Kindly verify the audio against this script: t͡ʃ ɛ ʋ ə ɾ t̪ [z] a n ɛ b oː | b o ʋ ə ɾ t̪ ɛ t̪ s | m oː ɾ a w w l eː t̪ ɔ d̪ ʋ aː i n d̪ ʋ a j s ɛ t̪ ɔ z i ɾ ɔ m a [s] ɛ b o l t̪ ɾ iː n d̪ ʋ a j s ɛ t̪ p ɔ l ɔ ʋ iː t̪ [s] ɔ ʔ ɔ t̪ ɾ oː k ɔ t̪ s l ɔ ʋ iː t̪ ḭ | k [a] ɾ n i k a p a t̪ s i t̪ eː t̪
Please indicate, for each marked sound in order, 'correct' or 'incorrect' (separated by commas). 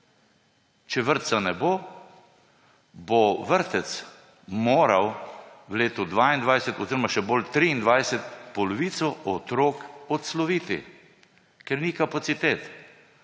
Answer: incorrect, incorrect, correct, incorrect